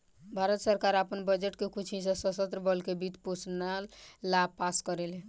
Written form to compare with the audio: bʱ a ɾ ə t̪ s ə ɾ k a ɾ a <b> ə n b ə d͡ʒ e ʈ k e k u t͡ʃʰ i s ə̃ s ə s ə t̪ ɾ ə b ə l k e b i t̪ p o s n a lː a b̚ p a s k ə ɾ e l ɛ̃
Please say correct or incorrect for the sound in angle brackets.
incorrect